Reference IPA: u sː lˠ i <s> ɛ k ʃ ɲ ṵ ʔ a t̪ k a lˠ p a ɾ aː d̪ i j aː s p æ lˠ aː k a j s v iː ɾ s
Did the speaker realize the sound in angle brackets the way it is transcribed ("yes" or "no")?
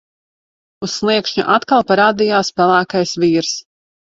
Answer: no